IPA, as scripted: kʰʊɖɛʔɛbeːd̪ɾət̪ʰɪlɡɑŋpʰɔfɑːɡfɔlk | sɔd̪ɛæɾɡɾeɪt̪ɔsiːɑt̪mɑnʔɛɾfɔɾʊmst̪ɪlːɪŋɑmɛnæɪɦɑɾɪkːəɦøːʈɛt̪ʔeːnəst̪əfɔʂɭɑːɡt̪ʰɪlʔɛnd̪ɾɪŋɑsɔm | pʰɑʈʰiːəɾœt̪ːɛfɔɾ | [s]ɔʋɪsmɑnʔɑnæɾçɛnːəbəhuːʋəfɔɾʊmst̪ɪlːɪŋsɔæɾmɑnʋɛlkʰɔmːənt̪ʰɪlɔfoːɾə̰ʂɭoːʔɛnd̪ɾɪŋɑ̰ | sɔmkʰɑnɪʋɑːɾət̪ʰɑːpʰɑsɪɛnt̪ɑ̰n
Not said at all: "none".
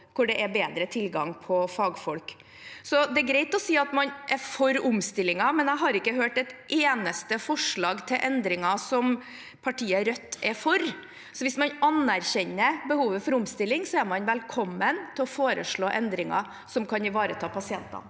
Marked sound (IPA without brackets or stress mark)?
s